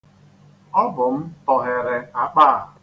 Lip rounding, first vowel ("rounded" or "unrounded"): rounded